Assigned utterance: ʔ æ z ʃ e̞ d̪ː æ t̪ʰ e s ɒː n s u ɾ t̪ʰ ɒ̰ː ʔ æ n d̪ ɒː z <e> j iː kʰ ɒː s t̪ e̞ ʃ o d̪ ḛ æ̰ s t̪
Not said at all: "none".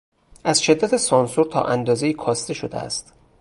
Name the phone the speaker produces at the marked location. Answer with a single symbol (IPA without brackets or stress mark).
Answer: e